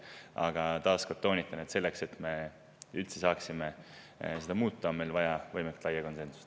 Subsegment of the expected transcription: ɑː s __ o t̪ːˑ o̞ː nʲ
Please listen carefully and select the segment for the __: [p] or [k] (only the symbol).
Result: k